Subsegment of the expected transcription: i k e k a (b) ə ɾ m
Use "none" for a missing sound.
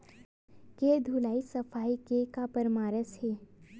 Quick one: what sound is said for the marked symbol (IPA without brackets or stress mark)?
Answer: p